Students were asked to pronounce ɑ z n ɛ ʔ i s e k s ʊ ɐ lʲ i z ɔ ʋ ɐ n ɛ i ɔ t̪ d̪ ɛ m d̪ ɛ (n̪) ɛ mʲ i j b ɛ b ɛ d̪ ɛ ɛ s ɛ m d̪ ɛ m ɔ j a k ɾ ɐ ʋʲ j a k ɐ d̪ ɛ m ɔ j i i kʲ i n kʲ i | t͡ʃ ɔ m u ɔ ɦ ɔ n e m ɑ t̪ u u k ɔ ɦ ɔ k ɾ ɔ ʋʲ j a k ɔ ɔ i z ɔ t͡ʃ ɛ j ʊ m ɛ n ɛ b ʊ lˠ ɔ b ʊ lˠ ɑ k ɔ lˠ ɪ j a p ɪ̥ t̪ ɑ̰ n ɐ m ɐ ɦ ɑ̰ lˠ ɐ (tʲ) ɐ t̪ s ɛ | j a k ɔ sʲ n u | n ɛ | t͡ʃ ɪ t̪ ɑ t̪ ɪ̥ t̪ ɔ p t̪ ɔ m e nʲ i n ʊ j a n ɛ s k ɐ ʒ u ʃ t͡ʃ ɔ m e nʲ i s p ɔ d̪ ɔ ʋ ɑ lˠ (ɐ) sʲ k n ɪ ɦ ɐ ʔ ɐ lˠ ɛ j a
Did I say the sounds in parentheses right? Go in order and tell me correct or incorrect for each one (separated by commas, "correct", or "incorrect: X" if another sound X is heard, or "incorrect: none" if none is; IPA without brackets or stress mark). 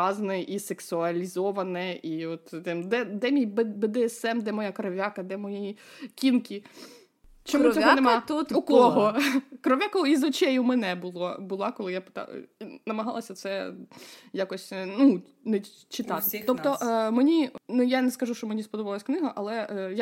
incorrect: d̪, incorrect: sʲ, correct